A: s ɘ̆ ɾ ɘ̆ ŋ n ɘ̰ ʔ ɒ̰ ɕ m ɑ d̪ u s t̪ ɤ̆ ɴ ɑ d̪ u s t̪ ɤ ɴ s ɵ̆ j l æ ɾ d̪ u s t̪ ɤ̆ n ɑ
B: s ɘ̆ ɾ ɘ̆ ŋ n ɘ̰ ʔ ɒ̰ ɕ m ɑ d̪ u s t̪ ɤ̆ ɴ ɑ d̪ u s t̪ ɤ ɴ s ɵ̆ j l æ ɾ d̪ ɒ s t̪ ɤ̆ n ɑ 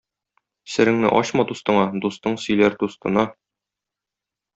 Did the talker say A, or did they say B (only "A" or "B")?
A